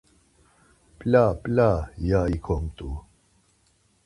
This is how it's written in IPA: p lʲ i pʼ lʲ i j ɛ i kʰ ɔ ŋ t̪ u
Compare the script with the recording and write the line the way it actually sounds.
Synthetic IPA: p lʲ a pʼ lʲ a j a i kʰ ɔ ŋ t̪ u